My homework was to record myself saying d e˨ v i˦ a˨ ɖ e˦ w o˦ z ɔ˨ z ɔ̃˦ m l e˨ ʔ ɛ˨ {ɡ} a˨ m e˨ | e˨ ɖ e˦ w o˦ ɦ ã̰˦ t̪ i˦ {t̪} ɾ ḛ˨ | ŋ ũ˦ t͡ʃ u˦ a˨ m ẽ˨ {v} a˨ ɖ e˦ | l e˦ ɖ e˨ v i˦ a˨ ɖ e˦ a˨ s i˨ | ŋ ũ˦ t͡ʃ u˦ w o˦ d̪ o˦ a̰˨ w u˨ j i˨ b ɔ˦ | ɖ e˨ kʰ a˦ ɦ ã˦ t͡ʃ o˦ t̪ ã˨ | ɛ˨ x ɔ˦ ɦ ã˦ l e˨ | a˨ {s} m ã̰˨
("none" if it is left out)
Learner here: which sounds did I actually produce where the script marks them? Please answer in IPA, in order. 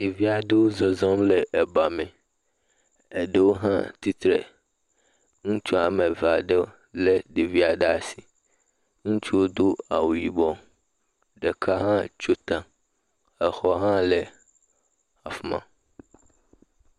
b, t̪, v, f

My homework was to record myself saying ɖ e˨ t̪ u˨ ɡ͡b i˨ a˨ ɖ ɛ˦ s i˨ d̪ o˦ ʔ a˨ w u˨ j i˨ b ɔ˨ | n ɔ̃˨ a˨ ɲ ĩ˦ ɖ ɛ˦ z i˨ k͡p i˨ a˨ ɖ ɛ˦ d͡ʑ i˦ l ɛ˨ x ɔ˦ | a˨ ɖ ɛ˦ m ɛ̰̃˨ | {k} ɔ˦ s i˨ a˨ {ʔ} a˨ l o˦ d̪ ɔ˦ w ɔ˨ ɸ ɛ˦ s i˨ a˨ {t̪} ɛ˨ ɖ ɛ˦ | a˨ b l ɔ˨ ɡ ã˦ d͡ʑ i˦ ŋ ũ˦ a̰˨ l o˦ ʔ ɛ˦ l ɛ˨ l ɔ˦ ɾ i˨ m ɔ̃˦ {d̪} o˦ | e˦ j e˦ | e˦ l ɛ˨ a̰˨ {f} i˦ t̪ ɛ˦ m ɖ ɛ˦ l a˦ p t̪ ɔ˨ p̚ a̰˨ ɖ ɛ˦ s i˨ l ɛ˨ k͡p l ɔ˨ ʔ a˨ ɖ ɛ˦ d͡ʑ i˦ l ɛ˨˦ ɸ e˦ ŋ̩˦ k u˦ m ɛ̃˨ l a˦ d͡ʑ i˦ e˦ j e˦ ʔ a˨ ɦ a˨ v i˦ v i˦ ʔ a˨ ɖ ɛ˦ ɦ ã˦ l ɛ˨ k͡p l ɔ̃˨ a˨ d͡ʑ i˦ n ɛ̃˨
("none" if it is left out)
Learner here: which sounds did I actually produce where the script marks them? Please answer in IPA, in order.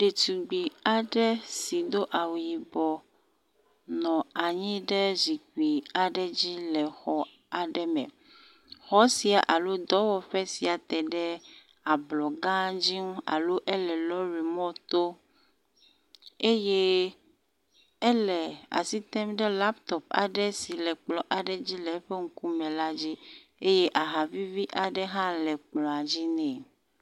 x, ʔ, t̪, t̪, s

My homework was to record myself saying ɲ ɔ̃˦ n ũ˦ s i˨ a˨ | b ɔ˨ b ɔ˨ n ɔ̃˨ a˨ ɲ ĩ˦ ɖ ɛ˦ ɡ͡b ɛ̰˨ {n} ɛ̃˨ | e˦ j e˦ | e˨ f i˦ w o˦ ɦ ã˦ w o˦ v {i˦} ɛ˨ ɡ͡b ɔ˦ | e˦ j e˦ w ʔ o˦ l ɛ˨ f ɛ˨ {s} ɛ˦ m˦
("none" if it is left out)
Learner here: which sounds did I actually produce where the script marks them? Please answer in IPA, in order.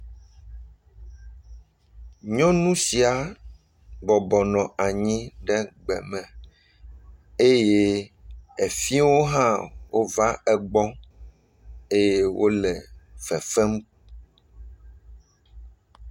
m, a˦, f

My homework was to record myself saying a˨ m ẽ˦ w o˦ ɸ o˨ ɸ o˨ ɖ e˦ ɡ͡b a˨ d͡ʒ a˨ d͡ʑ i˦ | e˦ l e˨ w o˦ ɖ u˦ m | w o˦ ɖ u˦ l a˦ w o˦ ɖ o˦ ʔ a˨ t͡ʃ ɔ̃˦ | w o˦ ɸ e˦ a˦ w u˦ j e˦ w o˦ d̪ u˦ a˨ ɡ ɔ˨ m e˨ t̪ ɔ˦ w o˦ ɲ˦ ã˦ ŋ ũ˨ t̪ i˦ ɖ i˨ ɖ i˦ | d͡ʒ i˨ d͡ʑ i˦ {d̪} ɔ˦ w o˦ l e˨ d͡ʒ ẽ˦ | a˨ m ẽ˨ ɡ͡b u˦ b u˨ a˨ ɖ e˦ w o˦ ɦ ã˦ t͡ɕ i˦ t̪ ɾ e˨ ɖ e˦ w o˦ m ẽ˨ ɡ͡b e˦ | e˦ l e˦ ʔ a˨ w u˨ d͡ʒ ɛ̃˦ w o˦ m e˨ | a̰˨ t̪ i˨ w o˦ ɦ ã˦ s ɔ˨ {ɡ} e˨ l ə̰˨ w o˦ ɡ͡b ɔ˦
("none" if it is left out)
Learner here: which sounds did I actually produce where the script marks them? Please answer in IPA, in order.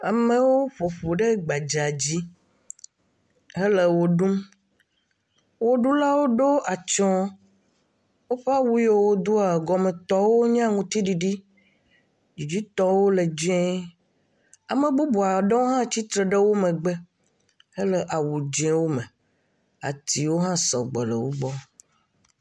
t̪, ɡ͡b

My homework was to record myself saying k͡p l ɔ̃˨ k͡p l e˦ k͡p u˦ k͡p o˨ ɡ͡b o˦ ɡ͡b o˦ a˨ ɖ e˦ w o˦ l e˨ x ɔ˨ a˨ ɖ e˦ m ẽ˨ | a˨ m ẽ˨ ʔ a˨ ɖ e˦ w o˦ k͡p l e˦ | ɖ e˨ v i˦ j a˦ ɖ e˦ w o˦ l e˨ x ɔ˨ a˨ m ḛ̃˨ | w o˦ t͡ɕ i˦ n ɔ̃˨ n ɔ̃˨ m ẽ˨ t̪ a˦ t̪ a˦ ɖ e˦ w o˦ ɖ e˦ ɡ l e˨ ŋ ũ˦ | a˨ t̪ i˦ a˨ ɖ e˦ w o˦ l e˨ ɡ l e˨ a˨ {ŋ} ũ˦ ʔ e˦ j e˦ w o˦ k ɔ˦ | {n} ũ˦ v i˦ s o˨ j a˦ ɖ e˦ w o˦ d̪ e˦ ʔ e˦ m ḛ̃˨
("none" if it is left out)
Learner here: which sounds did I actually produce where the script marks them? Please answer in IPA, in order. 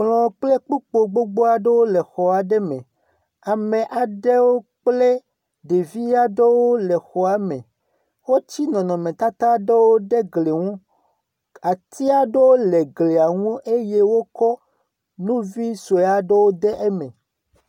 ŋ, n

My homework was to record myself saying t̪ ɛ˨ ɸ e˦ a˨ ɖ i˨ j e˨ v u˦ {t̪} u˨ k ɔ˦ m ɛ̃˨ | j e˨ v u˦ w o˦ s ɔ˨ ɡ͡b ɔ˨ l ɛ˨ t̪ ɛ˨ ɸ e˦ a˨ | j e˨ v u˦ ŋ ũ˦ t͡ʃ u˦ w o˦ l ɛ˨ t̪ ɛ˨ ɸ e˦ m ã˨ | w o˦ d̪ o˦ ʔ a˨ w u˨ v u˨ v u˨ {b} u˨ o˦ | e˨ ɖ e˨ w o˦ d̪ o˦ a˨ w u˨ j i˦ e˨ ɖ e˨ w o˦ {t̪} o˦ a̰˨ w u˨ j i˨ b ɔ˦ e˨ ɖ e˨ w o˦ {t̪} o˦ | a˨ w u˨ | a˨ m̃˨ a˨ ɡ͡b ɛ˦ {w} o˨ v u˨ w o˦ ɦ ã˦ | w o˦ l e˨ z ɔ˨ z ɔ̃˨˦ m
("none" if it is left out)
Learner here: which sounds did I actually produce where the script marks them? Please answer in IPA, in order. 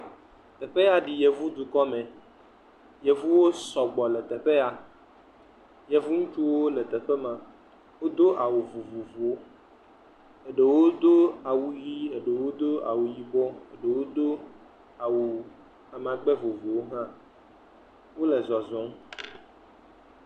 d̪, v, d̪, d̪, v

